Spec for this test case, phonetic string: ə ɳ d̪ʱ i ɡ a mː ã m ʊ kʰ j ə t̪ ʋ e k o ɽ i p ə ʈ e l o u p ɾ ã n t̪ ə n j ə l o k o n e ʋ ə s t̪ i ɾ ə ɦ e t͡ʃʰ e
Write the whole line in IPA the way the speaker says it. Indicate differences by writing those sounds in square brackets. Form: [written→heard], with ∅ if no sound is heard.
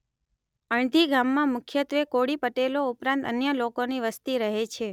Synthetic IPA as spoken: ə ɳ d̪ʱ i ɡ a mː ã m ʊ kʰ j ə t̪ ʋ e k o ɽ i p ə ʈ e l o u p ɾ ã n t̪ ə n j ə l o k o n [e→i] ʋ ə s t̪ i ɾ ə ɦ e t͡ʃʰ e